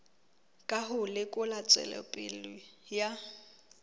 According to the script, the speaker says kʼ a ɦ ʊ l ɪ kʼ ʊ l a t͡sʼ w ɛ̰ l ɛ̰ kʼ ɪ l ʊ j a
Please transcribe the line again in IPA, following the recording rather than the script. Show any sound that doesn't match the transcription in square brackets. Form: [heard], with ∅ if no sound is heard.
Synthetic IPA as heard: kʼ a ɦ ʊ l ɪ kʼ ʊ l a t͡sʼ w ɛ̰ l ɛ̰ [pʼ] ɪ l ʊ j a